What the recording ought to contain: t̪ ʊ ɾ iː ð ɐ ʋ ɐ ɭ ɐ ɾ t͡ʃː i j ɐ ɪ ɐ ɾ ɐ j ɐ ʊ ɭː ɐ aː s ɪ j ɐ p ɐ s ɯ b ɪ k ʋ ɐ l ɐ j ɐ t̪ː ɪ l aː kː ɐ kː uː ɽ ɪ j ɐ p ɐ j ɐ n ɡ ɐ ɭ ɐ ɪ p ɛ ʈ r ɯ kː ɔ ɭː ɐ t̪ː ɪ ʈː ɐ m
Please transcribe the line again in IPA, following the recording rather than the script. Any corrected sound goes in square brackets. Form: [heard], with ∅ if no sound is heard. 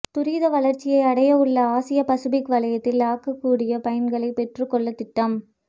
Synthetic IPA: t̪ ʊ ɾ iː ð ɐ ʋ ɐ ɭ ɐ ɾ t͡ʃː [ɪ] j ɐ ɪ ɐ [ɽ] ɐ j ɐ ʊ ɭː ɐ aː s ɪ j ɐ p ɐ s ɯ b ɪ k ʋ ɐ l ɐ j ɐ t̪ː ɪ l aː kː ɐ kː uː ɽ ɪ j ɐ p ɐ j ɐ n ɡ ɐ ɭ ɐ ɪ p ɛ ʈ r ɯ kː ɔ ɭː ɐ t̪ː ɪ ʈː ɐ m

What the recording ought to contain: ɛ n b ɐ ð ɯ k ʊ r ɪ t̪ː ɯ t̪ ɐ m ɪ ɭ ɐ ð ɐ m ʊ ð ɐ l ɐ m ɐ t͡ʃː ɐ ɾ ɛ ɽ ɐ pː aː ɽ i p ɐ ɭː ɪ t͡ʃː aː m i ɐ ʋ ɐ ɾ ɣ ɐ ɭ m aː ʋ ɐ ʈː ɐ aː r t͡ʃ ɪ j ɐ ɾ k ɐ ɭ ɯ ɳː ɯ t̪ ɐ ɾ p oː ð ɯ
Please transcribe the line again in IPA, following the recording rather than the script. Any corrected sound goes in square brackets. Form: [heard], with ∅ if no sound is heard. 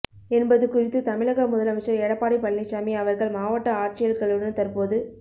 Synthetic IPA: ɛ n b ɐ ð ɯ k ʊ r ɪ t̪ː ɯ t̪ ɐ m ɪ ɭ ɐ [ɣ] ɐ m ʊ ð ɐ l ɐ m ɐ t͡ʃː ɐ ɾ ɛ ɽ ɐ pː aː ɽ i p ɐ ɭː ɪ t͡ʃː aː m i ɐ ʋ ɐ ɾ ɣ ɐ ɭ m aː ʋ ɐ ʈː ɐ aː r t͡ʃ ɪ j ɐ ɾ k ɐ ɭ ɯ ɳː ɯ t̪ ɐ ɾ p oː ð ɯ

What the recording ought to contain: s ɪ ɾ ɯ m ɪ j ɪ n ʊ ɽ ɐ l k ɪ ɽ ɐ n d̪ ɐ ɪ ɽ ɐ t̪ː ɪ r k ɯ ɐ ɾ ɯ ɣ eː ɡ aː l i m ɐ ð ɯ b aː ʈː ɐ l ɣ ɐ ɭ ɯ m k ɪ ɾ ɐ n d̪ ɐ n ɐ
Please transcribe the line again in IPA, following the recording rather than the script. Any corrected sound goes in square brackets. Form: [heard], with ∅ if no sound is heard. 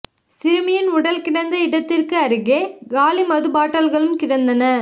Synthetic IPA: s ɪ ɾ ɯ m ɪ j ɪ n ʊ ɽ ɐ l k ɪ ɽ ɐ n d̪ ɐ ɪ ɽ ɐ t̪ː ɪ r k ɯ ɐ ɾ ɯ ɣ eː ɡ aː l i m ɐ ð ɯ b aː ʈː ɐ l ɣ ɐ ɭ ɯ m k ɪ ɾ ɐ n d̪ ɐ n ɐ

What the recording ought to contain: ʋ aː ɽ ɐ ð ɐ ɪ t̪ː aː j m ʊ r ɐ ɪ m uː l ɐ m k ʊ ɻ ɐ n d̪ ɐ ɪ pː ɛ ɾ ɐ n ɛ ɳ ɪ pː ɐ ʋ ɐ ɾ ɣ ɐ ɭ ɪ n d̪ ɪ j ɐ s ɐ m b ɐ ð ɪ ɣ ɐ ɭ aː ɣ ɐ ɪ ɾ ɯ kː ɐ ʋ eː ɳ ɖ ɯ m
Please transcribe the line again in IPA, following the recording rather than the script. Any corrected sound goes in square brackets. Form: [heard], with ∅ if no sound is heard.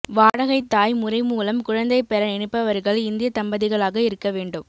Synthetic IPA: ʋ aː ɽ ɐ [ɣ] ɐ ɪ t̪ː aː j m ʊ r ɐ ɪ m uː l ɐ m k ʊ ɻ ɐ n d̪ ɐ ɪ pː ɛ ɾ ɐ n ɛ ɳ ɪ pː ɐ ʋ ɐ ɾ ɣ ɐ ɭ ɪ n d̪ ɪ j ɐ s ɐ m b ɐ ð ɪ ɣ ɐ ɭ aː ɣ ɐ ɪ ɾ ɯ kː ɐ ʋ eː ɳ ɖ ɯ m

